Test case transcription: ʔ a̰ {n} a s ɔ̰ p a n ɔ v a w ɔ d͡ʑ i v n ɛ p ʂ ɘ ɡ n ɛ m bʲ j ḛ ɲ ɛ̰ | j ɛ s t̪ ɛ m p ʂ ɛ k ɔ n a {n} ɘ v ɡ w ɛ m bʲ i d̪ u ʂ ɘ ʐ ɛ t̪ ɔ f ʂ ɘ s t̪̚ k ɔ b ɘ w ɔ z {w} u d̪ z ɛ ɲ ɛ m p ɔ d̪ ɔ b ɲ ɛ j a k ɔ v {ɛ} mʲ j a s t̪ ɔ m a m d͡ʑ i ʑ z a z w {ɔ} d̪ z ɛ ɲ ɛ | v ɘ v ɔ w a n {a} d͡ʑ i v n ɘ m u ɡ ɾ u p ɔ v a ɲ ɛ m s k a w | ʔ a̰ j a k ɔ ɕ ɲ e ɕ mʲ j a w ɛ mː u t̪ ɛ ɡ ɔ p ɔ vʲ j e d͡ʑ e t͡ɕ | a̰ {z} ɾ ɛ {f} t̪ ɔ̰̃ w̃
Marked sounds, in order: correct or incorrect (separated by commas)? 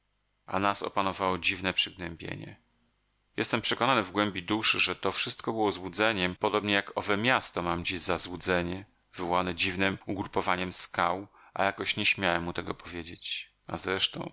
correct, correct, correct, correct, incorrect, incorrect, correct, incorrect